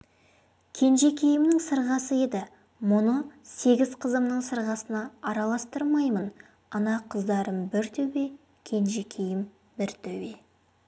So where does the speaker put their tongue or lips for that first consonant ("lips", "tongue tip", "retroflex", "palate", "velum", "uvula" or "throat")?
velum